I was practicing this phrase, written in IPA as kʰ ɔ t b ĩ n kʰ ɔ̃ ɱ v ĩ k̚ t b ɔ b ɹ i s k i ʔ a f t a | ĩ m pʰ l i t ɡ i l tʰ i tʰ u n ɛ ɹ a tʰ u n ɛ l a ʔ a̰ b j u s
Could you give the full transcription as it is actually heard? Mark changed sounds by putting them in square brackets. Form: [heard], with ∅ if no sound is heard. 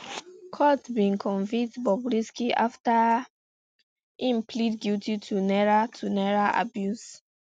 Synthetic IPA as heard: kʰ ɔ t b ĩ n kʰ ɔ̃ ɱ v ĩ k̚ t b ɔ b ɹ i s k i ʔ a f t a | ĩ m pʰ l i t ɡ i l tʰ i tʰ u n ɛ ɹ a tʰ u n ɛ [ɹ] a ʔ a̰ b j u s